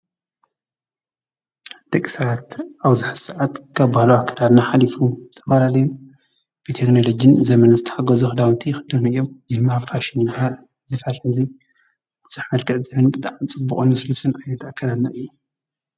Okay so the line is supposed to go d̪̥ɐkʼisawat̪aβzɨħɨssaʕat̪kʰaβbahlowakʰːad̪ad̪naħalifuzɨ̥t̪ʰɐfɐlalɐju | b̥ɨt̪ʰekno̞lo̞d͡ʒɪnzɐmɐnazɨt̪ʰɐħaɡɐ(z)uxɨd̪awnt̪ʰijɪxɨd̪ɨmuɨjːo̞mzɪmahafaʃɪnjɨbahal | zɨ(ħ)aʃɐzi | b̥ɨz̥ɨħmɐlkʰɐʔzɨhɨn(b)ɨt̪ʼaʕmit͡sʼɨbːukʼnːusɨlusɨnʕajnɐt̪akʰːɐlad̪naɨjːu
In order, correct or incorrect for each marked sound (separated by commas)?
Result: correct, incorrect, correct